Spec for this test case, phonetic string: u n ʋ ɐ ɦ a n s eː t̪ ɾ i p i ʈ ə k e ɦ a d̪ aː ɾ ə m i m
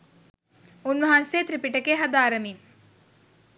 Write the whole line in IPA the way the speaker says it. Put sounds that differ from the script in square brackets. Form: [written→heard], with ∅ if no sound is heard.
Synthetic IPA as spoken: u n ʋ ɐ ɦ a n s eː t̪ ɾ i p i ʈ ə k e ɦ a d̪ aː ɾ ə m i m